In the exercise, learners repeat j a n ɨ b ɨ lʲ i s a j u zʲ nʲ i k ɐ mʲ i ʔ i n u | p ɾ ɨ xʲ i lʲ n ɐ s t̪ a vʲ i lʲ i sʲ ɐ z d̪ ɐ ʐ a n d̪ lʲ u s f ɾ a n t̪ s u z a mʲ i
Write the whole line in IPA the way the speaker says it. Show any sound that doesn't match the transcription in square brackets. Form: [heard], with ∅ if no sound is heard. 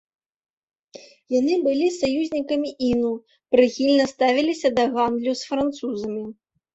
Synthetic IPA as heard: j a n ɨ b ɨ lʲ i s a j u zʲ nʲ i k ɐ mʲ i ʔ i n u | p ɾ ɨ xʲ i lʲ n ɐ s t̪ a vʲ i lʲ i sʲ ɐ [∅] d̪ ɐ [ɣ] a n d̪ lʲ u s f ɾ a n t̪ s u z [ɐ] mʲ i